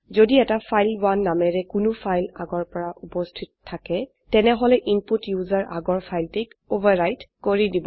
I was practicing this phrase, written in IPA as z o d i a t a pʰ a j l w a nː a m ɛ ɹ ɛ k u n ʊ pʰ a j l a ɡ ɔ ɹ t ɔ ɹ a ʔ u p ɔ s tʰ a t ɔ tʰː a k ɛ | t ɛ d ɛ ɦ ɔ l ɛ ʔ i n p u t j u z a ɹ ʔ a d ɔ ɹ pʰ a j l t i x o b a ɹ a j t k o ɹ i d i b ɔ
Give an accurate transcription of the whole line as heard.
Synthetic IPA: z o d i ɛ t a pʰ a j l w a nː a m ɛ ɹ ɛ k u n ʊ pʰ a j l a ɡ ɔ ɹ p ɔ ɹ a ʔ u p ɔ s tʰ i t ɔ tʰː a k ɛ | t ɛ n ɛ ɦ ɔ l ɛ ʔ i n p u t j u z a ɹ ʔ a ɡ ɔ ɹ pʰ a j l t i k o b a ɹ a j t k o ɹ i d i b ɔ